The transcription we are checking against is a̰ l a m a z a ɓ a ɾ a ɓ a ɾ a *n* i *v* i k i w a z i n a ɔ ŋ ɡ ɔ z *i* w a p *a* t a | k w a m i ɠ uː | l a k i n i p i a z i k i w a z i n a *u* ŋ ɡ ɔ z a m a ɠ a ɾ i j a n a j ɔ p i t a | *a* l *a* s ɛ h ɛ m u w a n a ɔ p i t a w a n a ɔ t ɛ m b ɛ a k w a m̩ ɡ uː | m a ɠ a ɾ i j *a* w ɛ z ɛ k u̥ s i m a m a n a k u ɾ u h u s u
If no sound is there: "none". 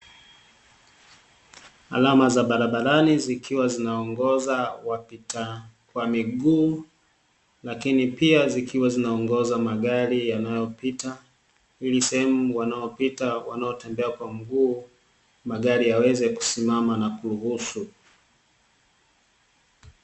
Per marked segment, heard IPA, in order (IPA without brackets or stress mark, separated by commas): n, z, a, i, ɔ, i, i, a